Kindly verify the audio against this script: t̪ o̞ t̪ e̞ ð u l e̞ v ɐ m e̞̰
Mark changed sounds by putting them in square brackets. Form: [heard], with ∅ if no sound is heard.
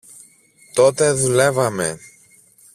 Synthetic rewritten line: t̪ o̞ t̪ e̞ ð u l e̞ v ɐ m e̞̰